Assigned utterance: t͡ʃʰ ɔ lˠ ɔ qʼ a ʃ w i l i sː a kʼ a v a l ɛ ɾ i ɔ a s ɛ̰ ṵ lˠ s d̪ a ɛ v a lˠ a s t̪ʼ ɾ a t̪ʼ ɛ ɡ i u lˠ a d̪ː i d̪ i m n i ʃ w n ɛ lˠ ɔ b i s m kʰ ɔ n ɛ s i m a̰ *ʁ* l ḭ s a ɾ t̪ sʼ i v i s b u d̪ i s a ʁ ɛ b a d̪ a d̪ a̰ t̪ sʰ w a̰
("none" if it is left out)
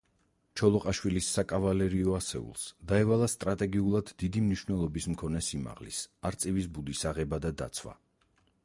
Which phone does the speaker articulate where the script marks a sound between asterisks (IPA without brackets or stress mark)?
ʁ